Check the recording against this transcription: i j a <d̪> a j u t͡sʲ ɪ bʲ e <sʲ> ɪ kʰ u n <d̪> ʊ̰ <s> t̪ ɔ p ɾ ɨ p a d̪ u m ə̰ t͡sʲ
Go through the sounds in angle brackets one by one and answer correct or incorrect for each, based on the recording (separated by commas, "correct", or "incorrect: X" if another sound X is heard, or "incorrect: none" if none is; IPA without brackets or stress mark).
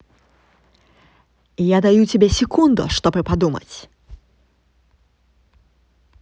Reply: correct, correct, correct, incorrect: ʂ